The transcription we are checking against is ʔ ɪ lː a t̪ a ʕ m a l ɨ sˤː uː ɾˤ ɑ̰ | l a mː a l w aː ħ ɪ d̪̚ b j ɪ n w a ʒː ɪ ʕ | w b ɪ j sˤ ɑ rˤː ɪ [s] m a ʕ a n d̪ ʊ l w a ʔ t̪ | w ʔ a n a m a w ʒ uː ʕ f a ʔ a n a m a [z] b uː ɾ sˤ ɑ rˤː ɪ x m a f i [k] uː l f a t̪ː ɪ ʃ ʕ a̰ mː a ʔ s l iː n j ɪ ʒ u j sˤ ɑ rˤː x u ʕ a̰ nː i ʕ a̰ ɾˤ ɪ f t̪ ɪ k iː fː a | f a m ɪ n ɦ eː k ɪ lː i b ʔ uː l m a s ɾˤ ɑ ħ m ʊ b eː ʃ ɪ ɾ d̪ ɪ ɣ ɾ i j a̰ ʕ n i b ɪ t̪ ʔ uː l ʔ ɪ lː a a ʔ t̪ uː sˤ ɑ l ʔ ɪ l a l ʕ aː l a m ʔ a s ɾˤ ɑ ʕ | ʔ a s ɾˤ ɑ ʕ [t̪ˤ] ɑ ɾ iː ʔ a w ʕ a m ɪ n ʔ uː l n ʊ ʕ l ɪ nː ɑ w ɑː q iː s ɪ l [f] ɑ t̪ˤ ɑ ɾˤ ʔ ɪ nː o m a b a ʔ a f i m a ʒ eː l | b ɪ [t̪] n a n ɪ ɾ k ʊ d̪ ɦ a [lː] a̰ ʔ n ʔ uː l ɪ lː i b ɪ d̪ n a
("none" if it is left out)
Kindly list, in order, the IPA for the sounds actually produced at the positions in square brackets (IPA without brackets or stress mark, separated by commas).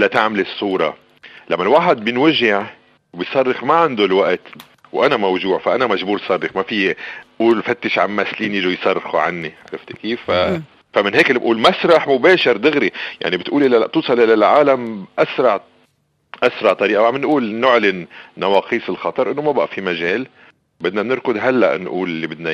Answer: x, ʒ, ʔ, t̪ˤ, x, d̪, lː